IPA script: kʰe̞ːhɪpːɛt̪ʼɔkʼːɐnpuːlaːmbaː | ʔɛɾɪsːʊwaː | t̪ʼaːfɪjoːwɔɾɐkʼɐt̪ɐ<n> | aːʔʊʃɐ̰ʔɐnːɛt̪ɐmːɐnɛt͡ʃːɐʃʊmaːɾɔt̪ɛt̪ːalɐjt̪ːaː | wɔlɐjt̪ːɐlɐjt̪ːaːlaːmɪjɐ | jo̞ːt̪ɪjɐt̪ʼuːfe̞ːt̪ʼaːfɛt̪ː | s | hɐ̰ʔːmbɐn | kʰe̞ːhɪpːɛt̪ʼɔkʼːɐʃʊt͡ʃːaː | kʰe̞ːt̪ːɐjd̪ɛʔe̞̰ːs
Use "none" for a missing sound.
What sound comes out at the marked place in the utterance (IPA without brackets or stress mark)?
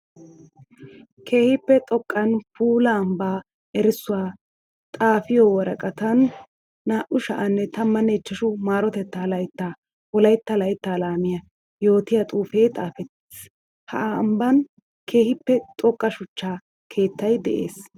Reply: nː